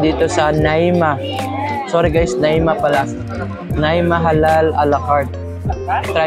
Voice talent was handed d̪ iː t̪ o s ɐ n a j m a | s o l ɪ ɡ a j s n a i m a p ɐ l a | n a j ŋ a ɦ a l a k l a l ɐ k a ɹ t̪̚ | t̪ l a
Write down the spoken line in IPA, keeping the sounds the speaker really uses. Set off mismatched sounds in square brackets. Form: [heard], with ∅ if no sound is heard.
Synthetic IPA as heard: d̪ iː t̪ o s ɐ n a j m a | s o [ɾ] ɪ ɡ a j s n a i m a p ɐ l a | n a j [m] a ɦ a l a [∅] l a l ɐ k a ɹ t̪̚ | t̪ [ɾ] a